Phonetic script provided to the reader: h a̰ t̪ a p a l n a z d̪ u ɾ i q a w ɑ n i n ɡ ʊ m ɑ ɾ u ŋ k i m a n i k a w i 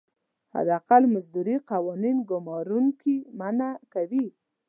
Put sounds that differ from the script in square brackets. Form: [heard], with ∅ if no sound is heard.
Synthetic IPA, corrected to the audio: h a̰ [d̪] a [q] a l [m] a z d̪ u ɾ i q a w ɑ n i n ɡ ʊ m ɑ ɾ u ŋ k i m a n [a] k a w i